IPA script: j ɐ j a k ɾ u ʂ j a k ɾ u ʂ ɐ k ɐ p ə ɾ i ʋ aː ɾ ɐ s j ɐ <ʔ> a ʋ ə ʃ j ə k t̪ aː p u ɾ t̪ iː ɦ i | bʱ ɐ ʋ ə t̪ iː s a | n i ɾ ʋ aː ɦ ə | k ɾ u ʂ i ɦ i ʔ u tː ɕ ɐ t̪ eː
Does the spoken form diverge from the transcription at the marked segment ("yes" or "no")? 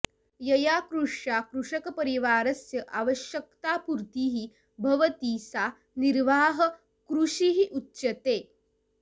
no